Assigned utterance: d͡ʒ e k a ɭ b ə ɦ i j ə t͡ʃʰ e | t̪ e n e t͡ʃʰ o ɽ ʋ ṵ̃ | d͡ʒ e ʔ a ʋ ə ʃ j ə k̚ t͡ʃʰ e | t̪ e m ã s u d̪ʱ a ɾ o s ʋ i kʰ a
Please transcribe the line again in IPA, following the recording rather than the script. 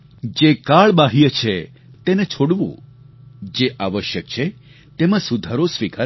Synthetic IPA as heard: d͡ʒ e k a ɭ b a ɦ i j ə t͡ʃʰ e | t̪ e n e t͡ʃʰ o ɽ ʋ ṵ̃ | d͡ʒ e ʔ a ʋ ə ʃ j ə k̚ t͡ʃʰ e | t̪ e m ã s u d̪ʱ a ɾ o s ʋ i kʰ a